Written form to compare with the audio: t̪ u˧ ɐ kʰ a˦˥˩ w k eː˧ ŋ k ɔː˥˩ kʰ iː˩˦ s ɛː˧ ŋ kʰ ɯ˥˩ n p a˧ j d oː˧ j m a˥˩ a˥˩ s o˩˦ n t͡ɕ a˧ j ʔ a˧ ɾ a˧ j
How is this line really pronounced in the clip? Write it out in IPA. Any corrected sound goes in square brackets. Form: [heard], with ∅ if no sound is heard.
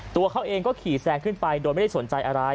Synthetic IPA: t̪ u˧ ɐ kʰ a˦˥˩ w [ʔ] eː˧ ŋ k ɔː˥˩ kʰ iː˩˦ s ɛː˧ ŋ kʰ ɯ˥˩ n p a˧ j d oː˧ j m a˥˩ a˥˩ s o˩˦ n t͡ɕ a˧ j ʔ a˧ ɾ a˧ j